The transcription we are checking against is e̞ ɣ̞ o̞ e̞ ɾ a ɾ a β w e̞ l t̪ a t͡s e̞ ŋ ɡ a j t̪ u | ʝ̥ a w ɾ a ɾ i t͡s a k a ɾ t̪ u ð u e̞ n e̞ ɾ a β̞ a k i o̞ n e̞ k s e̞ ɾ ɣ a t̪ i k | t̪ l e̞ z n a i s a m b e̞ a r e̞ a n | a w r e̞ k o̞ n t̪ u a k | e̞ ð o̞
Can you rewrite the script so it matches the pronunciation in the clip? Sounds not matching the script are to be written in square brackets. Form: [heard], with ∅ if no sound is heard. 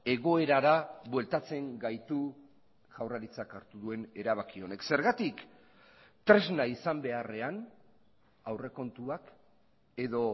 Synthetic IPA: e̞ ɣ̞ o̞ e̞ ɾ a ɾ a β w e̞ l t̪ a t͡s e̞ ŋ ɡ a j t̪ u | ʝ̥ a w [r] a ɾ i t͡s a k a ɾ t̪ u ð u e̞ n e̞ ɾ a β̞ a k i o̞ n e̞ k s e̞ ɾ ɣ a t̪ i k | t̪ [ɾ] e̞ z n a i s a m b e̞ a r e̞ a n | a w r e̞ k o̞ n t̪ u a k | e̞ ð o̞